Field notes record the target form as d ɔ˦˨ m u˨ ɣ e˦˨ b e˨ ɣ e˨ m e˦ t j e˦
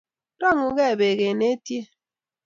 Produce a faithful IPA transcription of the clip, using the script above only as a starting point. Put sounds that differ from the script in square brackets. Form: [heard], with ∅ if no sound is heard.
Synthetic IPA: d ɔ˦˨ [ŋ] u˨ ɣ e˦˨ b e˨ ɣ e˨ [n] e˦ t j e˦